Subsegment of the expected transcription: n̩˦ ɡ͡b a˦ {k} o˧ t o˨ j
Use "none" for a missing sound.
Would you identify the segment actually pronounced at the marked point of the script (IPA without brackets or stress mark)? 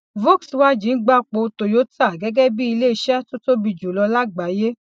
k͡p